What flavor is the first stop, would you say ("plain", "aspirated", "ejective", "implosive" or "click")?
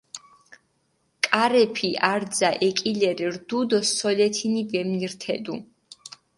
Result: ejective